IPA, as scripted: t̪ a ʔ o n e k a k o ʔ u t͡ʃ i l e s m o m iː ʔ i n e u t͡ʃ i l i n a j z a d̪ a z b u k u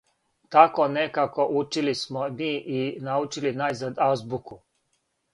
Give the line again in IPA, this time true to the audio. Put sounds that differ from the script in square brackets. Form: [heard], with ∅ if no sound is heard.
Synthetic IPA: t̪ a [k] o n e k a k o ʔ u t͡ʃ i l [i] s m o m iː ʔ i n [a] u t͡ʃ i l i n a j z a d̪ a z b u k u